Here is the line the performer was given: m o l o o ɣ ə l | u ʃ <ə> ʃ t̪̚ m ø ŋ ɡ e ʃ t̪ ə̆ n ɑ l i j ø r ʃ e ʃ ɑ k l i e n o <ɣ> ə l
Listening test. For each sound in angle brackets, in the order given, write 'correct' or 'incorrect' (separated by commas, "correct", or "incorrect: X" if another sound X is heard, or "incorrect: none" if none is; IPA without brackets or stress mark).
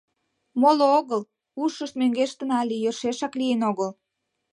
correct, correct